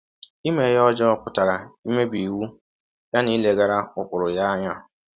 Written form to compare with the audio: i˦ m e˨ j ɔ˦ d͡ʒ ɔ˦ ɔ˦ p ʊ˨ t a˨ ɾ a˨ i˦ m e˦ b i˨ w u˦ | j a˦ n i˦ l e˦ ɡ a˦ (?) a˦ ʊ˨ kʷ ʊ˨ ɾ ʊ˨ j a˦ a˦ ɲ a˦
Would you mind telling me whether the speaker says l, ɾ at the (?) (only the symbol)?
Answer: ɾ